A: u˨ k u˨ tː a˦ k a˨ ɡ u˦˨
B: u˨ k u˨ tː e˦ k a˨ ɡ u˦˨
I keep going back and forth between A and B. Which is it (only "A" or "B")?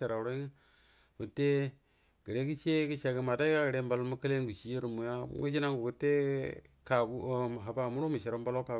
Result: B